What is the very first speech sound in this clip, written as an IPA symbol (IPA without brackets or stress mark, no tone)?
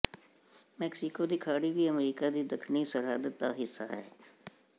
m